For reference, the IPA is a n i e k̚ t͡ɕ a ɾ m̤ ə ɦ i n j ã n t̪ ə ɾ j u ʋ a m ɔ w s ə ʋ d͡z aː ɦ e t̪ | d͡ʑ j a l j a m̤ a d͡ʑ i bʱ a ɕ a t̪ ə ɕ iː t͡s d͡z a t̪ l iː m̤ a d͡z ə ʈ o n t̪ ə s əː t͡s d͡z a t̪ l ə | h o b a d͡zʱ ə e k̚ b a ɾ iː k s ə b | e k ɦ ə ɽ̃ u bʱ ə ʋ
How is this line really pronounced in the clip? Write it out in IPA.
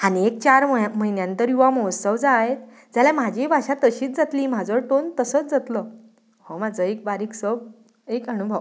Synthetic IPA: a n i e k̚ t͡ɕ a ɾ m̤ ə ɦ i n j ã n t̪ ə ɾ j u ʋ a m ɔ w s ə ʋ d͡z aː ɦ e t̪ | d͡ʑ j a l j a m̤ a d͡ʑ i bʱ a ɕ a t̪ ə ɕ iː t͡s d͡z a t̪ l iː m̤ a d͡z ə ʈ o n t̪ ə s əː t͡s d͡z a t̪ l ə | h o m a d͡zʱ ə e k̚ b a ɾ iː k s ə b | e k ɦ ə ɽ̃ u bʱ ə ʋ